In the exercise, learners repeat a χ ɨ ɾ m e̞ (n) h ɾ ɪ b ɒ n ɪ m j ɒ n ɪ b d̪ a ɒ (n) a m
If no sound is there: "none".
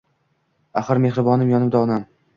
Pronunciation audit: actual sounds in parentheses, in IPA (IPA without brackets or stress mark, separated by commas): none, n